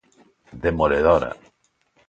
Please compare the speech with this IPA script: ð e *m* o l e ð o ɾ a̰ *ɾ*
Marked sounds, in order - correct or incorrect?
correct, incorrect: none

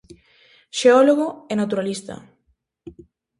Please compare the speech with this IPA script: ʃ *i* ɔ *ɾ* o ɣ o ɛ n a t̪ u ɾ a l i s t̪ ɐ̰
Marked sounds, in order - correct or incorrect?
incorrect: e, incorrect: l

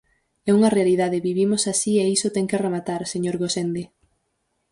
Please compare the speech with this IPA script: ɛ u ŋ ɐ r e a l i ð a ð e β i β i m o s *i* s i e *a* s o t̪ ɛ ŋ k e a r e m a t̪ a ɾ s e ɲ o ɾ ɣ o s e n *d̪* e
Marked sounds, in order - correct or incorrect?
incorrect: a, incorrect: i, correct

